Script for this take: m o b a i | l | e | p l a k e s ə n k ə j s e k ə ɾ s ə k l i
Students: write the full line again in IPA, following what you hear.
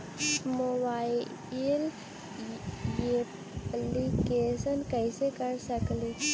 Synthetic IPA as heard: m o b a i | l | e | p l i k e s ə n k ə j s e k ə ɾ s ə k l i